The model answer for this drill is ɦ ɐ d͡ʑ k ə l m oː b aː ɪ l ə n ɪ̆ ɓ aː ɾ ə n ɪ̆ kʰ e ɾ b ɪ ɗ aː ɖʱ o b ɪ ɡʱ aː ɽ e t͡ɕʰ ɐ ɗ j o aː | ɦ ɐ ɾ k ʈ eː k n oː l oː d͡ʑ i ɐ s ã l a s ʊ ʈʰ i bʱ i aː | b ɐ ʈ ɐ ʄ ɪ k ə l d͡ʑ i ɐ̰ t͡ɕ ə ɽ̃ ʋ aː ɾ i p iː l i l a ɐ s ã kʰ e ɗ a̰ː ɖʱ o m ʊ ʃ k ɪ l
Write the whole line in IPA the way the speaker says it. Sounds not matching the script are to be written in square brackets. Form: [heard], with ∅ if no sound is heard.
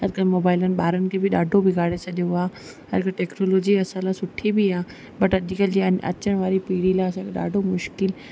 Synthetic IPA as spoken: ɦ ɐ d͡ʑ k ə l m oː b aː ɪ l ə n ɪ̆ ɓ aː ɾ ə n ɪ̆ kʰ e [∅] b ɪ ɗ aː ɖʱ o b ɪ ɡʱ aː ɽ e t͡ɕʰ ɐ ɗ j o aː | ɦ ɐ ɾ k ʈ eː k n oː l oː d͡ʑ i ɐ s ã l a s ʊ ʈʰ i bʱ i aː | b ɐ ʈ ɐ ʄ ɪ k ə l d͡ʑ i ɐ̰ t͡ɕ ə ɽ̃ ʋ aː ɾ i p iː [ɽ] i l a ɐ s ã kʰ e ɗ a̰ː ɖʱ o m ʊ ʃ k ɪ l

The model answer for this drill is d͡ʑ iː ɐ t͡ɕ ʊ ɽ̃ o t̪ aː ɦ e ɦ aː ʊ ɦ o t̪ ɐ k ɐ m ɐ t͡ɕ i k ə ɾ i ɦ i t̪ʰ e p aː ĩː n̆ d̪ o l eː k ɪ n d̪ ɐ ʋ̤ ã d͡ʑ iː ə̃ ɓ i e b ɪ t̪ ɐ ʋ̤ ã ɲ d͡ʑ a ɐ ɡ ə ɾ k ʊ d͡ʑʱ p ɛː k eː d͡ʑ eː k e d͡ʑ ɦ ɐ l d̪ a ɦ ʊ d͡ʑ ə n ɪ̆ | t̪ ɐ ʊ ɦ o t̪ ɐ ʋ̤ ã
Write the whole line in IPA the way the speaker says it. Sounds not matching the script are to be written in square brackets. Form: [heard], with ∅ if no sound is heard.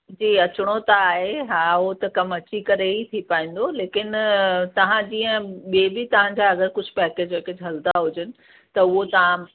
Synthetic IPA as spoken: d͡ʑ iː ɐ t͡ɕ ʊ ɽ̃ o t̪ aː ɦ e ɦ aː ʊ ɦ o t̪ ɐ k ɐ m ɐ t͡ɕ i k [ɐ] ɾ [e] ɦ i t̪ʰ [i] p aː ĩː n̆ d̪ o l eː k ɪ n [t̪] ɐ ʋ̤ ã d͡ʑ iː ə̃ ɓ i e b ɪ t̪ ɐ ʋ̤ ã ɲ d͡ʑ a ɐ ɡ ə ɾ k ʊ d͡ʑʱ p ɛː k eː d͡ʑ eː k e d͡ʑ ɦ ɐ l d̪ a ɦ ʊ d͡ʑ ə n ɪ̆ | t̪ ɐ ʊ ɦ o t̪ ɐ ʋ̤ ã

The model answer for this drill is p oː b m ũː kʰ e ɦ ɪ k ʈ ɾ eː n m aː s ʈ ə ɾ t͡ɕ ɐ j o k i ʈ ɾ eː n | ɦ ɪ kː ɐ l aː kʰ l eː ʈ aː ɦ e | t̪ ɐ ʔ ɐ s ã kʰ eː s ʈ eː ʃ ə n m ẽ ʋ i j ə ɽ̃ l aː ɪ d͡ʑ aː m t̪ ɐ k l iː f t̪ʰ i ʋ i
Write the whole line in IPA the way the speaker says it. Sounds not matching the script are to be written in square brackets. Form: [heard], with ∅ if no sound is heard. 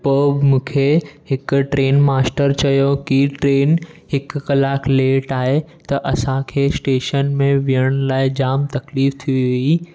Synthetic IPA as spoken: p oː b m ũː kʰ e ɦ ɪ k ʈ ɾ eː n m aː s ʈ ə ɾ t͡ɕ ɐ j o k i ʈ ɾ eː n | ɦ ɪ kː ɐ l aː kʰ l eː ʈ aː ɦ e | t̪ ɐ ʔ ɐ s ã kʰ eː s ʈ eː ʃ ə n m ẽ ʋ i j ə ɽ̃ l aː ɪ d͡ʑ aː m t̪ ɐ k l iː f t̪ʰ i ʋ i

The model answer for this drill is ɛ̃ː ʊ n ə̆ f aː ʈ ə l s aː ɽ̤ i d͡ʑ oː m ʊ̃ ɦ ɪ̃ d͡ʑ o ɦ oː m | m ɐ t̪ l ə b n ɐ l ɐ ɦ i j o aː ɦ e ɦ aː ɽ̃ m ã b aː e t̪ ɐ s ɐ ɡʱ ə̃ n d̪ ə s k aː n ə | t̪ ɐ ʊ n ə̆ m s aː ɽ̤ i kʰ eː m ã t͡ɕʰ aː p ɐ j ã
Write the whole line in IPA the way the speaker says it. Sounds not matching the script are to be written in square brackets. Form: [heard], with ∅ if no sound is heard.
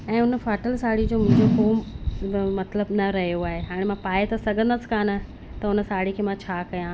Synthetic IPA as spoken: ɛ̃ː ʊ n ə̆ f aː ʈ ə l s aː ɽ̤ i d͡ʑ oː m ʊ̃ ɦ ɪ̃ d͡ʑ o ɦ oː m | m ɐ t̪ l ə b n ɐ [ɾ] ɐ ɦ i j o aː ɦ e ɦ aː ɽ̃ m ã [p] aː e t̪ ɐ s ɐ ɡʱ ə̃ n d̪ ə s k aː n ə | t̪ ɐ ʊ n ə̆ [∅] s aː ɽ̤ i kʰ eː m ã t͡ɕʰ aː [k] ɐ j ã

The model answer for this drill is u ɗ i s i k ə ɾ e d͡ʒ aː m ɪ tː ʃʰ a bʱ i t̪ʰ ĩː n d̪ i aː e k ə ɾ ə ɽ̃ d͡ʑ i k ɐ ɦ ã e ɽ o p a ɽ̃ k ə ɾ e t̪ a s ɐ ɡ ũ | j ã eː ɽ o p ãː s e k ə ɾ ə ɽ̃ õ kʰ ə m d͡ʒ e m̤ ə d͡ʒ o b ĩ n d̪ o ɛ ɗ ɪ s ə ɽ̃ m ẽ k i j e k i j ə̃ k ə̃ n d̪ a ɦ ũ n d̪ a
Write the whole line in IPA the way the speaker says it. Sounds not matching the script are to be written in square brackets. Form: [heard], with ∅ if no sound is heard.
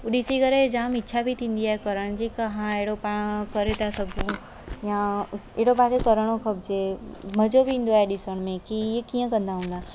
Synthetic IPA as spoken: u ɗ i s i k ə ɾ e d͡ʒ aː m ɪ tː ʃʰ a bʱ i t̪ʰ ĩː n d̪ i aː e k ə ɾ ə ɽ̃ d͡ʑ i k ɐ ɦ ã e ɽ o p a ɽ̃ k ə ɾ e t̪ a s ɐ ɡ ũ | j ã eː ɽ o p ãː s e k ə ɾ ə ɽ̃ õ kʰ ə [b] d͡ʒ e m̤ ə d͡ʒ o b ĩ n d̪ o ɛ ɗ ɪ s ə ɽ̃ m ẽ k i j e k i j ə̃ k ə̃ n d̪ a ɦ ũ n d̪ a

